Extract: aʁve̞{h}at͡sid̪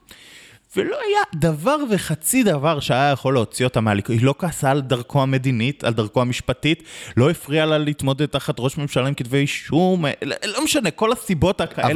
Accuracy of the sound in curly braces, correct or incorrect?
incorrect